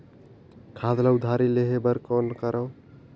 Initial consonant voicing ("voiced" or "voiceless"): voiceless